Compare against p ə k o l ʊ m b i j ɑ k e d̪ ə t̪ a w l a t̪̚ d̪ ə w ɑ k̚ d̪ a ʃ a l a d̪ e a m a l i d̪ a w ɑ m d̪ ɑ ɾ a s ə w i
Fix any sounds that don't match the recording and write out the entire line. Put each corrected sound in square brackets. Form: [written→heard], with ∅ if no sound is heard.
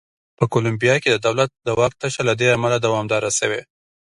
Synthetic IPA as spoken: p ə k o l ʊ m b i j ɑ k e d̪ ə [t̪→d̪] a w l a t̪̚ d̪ ə w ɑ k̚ [d̪→t̪] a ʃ a l a d̪ e a m a l [i→a] d̪ a w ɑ m d̪ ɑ ɾ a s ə w [i→e]